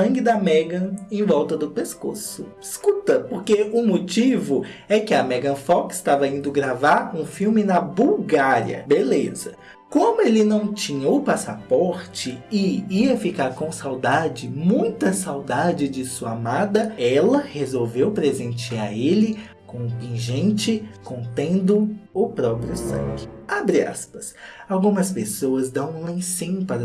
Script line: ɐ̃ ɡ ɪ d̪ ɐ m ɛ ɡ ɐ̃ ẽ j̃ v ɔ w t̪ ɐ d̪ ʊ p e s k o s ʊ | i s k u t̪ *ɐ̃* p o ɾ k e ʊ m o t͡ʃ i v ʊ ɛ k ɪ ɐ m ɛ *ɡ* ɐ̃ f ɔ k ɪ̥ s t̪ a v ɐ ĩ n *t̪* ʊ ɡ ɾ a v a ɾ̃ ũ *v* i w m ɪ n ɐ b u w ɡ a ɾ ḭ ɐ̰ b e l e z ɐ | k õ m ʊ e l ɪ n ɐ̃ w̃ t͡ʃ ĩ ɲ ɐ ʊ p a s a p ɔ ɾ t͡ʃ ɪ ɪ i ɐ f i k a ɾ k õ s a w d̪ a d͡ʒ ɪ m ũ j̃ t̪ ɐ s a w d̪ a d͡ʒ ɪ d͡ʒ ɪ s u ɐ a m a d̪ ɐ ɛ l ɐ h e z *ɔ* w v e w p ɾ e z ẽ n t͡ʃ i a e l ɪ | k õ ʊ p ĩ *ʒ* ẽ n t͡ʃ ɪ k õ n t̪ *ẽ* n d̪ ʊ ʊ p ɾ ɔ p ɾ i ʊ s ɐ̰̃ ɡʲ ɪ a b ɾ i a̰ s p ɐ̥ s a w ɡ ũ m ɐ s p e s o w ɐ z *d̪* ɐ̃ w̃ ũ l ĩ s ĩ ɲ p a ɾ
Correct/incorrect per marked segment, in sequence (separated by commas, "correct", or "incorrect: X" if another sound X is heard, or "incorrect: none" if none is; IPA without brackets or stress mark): incorrect: ɐ, correct, incorrect: d̪, incorrect: f, incorrect: o, correct, correct, correct